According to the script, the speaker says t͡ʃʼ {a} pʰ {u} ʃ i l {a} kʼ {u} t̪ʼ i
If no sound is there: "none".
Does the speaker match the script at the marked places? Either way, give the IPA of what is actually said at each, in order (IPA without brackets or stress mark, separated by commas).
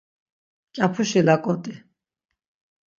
a, u, a, ɔ